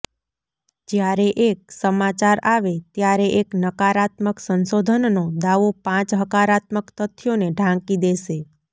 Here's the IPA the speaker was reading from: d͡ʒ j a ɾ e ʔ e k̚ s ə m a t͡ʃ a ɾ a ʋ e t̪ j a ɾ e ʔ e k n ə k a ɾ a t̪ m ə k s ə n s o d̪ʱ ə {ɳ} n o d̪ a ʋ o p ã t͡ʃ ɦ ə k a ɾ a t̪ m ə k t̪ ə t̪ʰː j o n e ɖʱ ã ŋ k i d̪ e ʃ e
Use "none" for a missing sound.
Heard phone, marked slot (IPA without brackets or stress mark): n